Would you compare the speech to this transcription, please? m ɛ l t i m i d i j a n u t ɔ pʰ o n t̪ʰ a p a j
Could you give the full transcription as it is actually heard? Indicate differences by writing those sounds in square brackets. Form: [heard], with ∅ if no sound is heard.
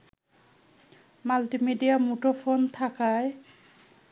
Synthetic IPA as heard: m [a] l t i m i d i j a [m] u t ɔ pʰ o n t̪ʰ a [k] a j